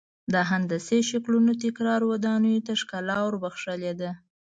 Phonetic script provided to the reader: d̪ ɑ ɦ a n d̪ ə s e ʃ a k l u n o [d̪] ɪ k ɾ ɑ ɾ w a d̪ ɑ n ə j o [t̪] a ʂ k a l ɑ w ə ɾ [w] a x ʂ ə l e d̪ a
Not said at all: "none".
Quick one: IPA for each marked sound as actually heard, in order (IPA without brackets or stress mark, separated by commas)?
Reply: t̪, t̪, b